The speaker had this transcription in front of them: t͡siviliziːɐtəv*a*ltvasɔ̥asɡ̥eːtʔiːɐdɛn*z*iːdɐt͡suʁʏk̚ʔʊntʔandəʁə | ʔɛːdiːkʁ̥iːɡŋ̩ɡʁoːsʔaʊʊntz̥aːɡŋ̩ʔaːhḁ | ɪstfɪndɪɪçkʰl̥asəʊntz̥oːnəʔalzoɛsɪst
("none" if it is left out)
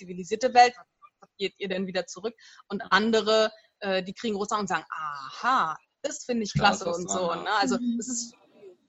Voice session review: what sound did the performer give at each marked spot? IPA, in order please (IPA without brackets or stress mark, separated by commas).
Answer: ɛ, v